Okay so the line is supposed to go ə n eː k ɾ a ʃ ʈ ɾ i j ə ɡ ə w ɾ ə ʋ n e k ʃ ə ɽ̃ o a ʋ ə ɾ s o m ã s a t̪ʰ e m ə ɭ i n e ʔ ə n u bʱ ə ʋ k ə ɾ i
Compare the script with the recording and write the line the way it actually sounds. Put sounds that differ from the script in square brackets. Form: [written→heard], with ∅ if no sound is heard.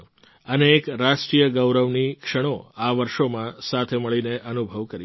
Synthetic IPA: ə n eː k ɾ a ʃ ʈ ɾ i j ə ɡ ə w ɾ ə ʋ n [e→i] k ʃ ə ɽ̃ o a ʋ ə ɾ [s→ʃ] o m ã s a t̪ʰ e m ə ɭ i n e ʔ ə n u bʱ ə ʋ k ə ɾ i